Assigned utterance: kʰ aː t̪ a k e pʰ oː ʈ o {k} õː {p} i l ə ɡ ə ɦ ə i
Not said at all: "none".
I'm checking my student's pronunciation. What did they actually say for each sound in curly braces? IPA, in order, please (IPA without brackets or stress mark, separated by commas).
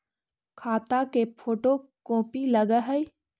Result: k, p